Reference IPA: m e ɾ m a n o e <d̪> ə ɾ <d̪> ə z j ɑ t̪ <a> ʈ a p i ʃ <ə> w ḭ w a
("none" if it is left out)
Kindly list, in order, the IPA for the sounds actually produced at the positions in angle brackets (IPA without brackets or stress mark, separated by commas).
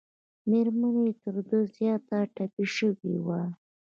t̪, d̪, a, ə